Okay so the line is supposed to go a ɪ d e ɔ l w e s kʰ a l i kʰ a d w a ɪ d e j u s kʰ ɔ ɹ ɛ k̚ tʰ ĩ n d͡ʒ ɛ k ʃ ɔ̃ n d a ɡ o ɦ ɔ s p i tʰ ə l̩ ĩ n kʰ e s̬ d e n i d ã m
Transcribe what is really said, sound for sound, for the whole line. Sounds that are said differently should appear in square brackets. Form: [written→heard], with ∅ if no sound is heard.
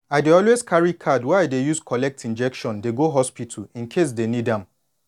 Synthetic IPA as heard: a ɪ d e ɔ l w e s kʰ a [l→ɹ] i kʰ a d w a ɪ d e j u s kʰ ɔ [ɹ→l] ɛ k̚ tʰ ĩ n d͡ʒ ɛ k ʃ ɔ̃ n d [a→e] ɡ o ɦ ɔ s p i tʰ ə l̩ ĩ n kʰ e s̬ d e n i d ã m